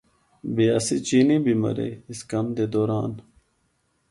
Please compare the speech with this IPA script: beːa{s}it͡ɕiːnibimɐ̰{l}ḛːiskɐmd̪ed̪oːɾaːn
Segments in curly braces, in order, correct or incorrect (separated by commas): correct, incorrect